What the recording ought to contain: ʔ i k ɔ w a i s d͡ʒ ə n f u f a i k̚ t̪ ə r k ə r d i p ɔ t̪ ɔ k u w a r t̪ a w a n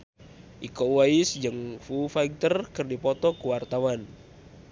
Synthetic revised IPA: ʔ i k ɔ w a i s d͡ʒ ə ŋ f u f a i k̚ t̪ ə r k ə r d i p ɔ t̪ ɔ k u w a r t̪ a w a n